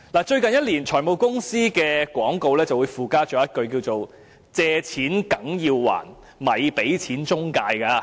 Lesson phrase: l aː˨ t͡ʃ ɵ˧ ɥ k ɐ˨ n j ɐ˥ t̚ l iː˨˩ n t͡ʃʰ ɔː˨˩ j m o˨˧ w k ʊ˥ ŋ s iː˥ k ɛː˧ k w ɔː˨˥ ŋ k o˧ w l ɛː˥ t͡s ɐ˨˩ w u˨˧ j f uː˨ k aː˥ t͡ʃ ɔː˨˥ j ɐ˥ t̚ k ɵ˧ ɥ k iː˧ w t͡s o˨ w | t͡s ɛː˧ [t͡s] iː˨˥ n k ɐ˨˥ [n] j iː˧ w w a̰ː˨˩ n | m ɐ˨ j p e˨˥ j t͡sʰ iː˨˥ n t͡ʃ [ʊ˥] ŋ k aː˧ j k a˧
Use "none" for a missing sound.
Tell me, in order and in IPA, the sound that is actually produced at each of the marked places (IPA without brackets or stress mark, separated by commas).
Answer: t͡sʰ, ŋ, ʊ˥